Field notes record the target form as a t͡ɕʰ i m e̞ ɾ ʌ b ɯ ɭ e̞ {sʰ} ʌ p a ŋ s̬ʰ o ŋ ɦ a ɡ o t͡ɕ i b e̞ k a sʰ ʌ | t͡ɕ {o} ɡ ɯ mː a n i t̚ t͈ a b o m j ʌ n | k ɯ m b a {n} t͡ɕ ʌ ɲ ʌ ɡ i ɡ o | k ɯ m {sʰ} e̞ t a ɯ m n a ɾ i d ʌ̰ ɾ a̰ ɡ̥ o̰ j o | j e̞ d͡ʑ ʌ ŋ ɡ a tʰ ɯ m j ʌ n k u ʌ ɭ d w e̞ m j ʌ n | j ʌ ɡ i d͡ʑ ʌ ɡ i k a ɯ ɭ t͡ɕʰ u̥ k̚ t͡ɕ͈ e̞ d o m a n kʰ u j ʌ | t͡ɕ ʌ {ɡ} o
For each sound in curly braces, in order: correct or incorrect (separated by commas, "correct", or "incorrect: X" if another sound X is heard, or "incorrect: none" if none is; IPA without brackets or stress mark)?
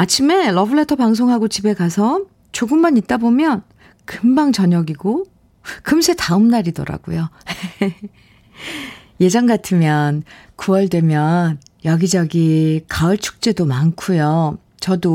incorrect: tʰ, correct, incorrect: ŋ, correct, incorrect: d